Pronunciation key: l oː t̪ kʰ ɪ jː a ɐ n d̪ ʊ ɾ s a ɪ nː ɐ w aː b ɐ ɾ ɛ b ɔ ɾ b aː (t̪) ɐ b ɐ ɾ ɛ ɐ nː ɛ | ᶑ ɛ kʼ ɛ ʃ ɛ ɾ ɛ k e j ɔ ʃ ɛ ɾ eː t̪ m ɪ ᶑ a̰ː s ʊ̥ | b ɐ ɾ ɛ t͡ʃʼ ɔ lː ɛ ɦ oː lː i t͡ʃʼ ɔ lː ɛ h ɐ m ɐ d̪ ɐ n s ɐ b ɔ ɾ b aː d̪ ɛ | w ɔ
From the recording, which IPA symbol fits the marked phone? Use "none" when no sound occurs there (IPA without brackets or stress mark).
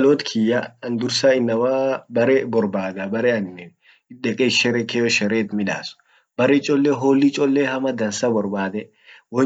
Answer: d̪